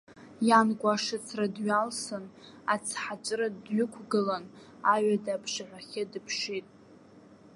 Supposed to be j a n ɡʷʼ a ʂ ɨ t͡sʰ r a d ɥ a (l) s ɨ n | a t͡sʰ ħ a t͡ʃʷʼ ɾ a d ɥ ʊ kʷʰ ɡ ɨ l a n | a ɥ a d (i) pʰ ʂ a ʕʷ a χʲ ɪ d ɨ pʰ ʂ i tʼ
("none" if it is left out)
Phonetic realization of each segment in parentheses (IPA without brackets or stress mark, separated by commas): l, a